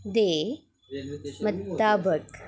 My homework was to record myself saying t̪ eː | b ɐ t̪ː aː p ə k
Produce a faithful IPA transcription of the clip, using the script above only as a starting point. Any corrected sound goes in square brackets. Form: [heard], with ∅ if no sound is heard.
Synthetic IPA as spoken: [d̪] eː | [m] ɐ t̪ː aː [b] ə k

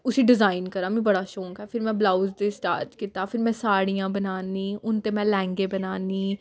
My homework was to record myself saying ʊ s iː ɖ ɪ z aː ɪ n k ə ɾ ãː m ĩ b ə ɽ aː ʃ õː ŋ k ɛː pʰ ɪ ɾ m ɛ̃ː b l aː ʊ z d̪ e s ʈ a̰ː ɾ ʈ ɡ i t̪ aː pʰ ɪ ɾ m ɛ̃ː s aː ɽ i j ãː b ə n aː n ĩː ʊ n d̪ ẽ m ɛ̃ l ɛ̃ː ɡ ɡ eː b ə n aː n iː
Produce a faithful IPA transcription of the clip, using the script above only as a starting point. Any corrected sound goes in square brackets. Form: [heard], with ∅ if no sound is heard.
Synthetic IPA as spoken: ʊ s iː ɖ ɪ z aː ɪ n k ə ɾ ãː m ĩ b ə ɽ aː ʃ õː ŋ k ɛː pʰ ɪ ɾ m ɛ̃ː b l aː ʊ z d̪ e s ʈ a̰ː ɾ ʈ [k] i t̪ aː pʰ ɪ ɾ m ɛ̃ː s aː ɽ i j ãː b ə n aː n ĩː ʊ n [t̪] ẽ m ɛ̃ l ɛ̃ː [ŋ] ɡ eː b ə n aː n iː

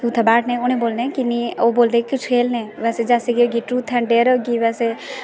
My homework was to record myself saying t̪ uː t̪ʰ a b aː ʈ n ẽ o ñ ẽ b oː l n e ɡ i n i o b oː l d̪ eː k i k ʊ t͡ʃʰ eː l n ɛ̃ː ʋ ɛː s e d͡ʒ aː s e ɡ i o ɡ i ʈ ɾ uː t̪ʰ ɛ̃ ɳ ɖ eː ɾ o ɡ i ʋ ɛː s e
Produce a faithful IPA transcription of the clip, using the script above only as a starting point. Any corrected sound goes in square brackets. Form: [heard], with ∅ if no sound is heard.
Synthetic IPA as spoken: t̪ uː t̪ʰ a b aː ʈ n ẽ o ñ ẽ b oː l n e [k] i n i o b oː l d̪ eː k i k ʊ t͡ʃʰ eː l n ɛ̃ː ʋ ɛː s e d͡ʒ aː s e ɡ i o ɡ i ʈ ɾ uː t̪ʰ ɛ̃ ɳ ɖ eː ɾ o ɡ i ʋ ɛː s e

